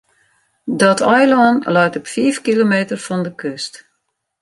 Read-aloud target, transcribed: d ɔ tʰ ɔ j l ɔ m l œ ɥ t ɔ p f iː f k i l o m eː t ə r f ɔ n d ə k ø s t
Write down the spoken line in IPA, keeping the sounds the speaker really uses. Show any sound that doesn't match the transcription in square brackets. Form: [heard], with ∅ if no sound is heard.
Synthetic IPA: d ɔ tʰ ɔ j l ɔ [n] l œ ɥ t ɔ p f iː f k i l o m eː t ə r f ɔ n d ə k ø s t